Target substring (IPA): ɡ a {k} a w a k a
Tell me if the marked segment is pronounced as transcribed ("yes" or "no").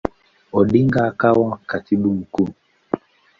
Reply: yes